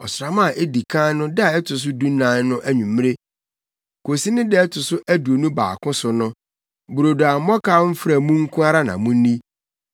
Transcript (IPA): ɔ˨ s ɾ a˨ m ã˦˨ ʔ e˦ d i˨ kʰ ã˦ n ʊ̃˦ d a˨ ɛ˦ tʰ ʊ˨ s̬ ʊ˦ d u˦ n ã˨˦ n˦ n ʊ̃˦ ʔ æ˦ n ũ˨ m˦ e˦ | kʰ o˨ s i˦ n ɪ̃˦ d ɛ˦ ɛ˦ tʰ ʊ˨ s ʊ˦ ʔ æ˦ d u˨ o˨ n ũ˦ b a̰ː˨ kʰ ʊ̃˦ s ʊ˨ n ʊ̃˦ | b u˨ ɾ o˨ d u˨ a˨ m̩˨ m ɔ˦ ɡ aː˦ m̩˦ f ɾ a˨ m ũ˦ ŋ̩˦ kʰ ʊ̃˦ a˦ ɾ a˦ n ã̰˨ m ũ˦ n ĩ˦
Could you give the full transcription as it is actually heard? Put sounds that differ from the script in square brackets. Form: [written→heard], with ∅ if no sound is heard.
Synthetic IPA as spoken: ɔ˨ s ɾ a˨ m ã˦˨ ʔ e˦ d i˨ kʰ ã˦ n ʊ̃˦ d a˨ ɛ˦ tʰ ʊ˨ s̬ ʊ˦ d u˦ n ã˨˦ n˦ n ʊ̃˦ ʔ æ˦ [n→ɲ] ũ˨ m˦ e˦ | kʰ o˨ s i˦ n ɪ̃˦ d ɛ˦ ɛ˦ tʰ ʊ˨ s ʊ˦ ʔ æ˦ d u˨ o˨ n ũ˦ b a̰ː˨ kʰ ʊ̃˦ s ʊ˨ n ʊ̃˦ | b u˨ ɾ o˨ d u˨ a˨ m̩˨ m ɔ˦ [ɡ→k] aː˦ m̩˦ f ɾ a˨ m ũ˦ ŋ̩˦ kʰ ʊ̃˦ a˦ ɾ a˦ n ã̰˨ m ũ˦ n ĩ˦